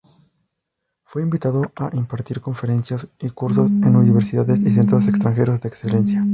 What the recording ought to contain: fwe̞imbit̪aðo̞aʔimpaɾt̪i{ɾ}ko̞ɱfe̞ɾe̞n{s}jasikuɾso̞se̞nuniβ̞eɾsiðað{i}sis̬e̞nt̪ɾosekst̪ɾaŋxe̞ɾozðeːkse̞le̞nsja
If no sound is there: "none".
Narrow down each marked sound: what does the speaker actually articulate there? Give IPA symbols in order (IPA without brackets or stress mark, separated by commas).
ɾ, s, e